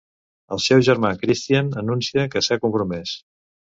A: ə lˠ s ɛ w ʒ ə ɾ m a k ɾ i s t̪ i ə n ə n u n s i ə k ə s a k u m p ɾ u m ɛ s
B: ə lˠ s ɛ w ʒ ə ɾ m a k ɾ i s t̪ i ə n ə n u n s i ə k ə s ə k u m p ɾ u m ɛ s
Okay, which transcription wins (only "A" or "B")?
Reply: A